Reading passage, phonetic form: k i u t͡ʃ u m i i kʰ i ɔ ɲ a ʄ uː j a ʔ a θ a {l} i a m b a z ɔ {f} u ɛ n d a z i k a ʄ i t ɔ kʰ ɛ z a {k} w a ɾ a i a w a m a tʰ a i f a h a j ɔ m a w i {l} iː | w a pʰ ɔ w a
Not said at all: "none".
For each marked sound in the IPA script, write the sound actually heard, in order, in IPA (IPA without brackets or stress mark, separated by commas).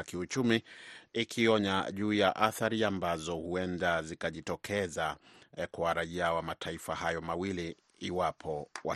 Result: ɾ, h, k, l